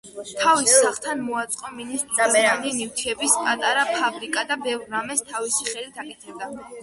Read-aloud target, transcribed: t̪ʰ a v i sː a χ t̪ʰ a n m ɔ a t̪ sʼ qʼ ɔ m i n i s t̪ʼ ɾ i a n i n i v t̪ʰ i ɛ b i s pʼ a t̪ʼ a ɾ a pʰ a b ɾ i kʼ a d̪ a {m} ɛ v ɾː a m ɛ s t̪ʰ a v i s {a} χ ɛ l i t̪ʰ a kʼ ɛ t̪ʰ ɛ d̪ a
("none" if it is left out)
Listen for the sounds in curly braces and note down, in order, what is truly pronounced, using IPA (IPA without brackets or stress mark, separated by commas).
b, i